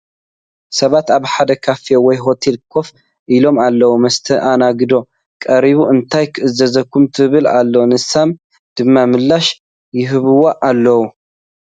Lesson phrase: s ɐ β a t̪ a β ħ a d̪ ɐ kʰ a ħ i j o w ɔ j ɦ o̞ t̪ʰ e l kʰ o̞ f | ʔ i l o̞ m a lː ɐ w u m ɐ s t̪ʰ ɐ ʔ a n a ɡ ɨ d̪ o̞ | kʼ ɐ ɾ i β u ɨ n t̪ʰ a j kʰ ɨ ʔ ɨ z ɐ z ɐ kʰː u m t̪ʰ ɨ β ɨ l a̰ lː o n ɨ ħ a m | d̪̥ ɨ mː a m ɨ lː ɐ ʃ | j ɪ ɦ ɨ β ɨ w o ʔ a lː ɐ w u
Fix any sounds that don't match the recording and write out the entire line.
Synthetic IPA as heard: s ɐ β a t̪ a β ħ a d̪ ɐ kʰ a f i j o w ɔ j ɦ o̞ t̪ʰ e l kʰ o̞ f | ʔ i l o̞ m a lː ɐ w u m ɐ s t̪ʰ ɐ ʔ a n a ɡ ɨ d̪ o̞ | kʼ ɐ ɾ i β u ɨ n t̪ʰ a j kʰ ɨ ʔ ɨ z ɐ z ɐ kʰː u m t̪ʰ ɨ β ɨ l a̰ lː o n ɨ s a m | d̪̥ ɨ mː a m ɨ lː a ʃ | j ɪ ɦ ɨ β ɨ w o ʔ a lː ɐ w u

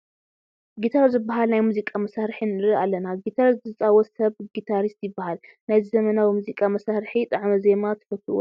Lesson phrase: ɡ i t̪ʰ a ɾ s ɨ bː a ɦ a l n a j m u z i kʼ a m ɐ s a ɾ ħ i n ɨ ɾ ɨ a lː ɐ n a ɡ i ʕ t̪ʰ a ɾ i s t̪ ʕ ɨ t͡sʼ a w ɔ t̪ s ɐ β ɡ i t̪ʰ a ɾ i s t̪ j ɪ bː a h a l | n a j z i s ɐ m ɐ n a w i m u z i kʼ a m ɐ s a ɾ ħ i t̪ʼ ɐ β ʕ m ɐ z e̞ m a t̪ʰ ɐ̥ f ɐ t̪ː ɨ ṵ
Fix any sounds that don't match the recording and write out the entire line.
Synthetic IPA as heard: ɡ i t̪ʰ a ɾ z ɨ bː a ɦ a l n a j m u z i kʼ a m ɐ s a ɾ ħ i n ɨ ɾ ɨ a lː ɐ n a ɡ i t̪ʰ a ɾ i s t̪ z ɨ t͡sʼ a w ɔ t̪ s ɐ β ɡ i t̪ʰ a ɾ i s t̪ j ɪ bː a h a l | n a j z i z ɐ m ɐ n a w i m u z i kʼ a m ɐ s a ɾ ħ i t̪ʼ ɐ ʕ m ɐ z e̞ m a t̪ʰ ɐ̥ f ɐ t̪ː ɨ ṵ

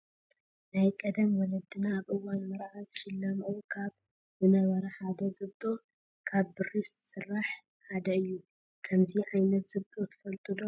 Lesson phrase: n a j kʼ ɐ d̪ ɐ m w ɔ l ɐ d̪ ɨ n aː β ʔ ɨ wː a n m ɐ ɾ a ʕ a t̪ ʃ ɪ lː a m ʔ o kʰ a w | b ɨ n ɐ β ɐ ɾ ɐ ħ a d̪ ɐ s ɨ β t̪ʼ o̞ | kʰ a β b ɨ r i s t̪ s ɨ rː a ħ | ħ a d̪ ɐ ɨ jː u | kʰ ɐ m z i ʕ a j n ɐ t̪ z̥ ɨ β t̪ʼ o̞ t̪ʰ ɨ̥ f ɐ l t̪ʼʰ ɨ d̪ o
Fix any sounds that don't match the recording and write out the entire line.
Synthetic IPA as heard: n a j kʼ ɐ d̪ ɐ m w ɔ l ɐ d̪ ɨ n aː β ʔ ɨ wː a n m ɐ ɾ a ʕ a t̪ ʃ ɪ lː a m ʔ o kʰ a β | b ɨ n ɐ β ɐ ɾ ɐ ħ a d̪ ɐ z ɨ β t̪ʼ o̞ | kʰ a β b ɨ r i s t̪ s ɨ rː a ħ | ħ a d̪ ɐ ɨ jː u | kʰ ɐ m z i ʕ a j n ɐ t̪ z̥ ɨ β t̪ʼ o̞ t̪ʰ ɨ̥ f ɐ l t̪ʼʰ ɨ d̪ o

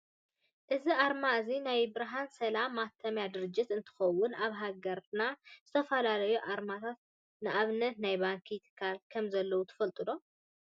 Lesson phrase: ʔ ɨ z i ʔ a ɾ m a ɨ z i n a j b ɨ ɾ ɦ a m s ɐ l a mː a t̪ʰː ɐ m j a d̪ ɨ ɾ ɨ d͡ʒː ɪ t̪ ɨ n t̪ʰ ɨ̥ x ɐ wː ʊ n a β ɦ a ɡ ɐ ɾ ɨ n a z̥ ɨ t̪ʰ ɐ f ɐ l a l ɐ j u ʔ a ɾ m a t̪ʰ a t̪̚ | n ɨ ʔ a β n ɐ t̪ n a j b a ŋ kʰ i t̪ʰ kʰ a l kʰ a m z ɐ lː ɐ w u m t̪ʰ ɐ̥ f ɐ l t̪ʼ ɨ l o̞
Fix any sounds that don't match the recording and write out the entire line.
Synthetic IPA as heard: ʔ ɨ z i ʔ a ɾ m a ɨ z i n a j b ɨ ɾ ɦ a n s ɐ l a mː a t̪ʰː ɐ m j a d̪ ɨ ɾ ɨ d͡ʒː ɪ t̪ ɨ n t̪ʰ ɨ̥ x ɐ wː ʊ n a β ɦ a ɡ ɐ ɾ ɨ n a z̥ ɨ t̪ʰ ɐ f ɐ l a l ɐ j u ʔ a ɾ m a t̪ʰ a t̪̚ | n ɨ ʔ a β n ɐ t̪ n a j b a ŋ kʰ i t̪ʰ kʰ a l kʰ ɐ m z ɐ lː ɐ w u t̪ʰ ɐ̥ f ɐ l t̪ʼ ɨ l o̞

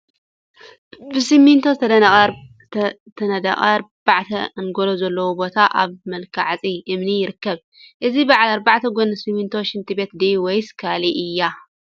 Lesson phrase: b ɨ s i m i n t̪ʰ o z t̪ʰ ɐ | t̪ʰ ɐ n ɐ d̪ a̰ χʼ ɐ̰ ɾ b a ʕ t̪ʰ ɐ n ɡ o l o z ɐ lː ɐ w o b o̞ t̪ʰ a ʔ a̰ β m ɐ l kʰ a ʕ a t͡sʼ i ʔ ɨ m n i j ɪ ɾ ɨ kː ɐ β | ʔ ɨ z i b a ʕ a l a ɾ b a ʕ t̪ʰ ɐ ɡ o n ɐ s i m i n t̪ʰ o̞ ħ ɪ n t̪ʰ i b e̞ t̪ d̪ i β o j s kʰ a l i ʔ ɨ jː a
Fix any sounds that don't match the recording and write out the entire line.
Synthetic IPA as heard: b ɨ s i m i n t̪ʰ o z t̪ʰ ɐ | t̪ʰ ɐ n ɐ d̪ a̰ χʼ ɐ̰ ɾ b a ʕ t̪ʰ ɐ n ɡ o l o z ɐ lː ɐ w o b o̞ t̪ʰ a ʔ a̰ β m ɐ l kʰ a ʕ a t͡sʼ i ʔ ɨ m n i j ɪ ɾ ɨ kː ɐ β | ʔ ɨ z i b a ʕ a l a ɾ b a ʕ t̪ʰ ɐ ɡ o n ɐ s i m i n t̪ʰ o̞ ʃ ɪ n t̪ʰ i b e̞ t̪ d̪ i w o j s kʰ a l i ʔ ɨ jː a

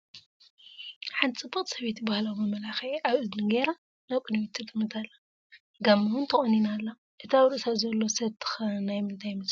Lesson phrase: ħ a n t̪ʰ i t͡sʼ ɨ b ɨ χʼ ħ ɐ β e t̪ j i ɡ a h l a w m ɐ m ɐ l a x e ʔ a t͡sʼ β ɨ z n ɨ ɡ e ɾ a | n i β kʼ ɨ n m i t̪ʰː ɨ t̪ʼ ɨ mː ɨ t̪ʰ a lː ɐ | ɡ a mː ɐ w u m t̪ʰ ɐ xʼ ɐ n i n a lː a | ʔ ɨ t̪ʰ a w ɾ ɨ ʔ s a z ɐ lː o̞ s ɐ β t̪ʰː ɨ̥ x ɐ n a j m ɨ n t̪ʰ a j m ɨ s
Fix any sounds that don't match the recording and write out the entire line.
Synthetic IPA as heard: ħ a n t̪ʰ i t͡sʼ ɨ b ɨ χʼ s ɐ β e t̪ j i b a h l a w m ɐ m ɐ l a x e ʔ a β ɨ z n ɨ ɡ e ɾ a | n a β kʼ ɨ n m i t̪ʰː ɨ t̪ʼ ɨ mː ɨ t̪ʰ a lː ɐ | ɡ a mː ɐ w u n t̪ʰ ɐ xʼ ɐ n i n a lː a | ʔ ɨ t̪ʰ a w ɾ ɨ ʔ s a z ɐ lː o̞ s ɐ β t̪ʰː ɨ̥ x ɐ n a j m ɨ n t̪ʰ a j m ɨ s

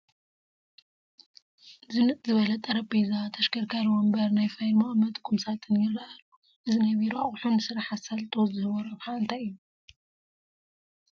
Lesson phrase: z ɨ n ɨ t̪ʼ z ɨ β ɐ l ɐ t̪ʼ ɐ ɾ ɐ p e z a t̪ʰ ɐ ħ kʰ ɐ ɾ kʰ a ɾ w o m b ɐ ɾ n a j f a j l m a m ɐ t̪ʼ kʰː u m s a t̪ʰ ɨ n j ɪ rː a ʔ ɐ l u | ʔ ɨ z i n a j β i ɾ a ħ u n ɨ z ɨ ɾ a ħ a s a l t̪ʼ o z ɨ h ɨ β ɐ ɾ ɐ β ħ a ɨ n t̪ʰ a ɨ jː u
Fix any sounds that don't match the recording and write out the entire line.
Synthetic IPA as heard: z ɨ n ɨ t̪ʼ z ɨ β ɐ l ɐ t̪ʼ ɐ ɾ ɐ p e z a t̪ʰ ɐ ʃ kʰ ɐ ɾ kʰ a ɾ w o m b ɐ ɾ n a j f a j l m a m ɐ t̪ʼ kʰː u m s a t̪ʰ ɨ n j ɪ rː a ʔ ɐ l u | ʔ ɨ z i n a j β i ɾ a ħ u n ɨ s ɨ ɾ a ħ a s a l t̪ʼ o z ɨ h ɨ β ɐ ɾ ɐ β ħ a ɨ n t̪ʰ a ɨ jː u

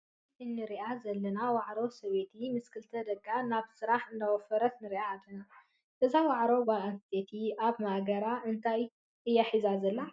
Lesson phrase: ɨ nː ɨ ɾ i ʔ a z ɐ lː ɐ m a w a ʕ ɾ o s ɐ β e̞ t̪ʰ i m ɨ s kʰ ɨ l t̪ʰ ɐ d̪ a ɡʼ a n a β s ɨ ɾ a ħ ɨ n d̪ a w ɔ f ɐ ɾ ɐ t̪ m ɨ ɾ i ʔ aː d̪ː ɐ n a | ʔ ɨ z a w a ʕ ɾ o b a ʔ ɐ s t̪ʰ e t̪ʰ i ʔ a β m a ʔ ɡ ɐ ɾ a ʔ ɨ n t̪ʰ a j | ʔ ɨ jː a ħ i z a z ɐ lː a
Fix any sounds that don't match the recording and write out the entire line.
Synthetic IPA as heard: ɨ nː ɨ ɾ i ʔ a z ɐ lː ɐ n a w a ʕ ɾ o s ɐ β e̞ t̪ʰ i m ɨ s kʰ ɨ l t̪ʰ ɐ d̪ ɐ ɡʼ a n a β s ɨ ɾ a ħ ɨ n d̪ a w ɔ f ɐ ɾ ɐ t̪ n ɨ ɾ i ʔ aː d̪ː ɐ n a | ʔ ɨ z a w a ʕ ɾ o b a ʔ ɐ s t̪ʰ e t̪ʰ i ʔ a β m a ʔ ɡ ɐ ɾ a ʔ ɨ n t̪ʰ a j | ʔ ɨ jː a ħ i z a z ɐ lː a

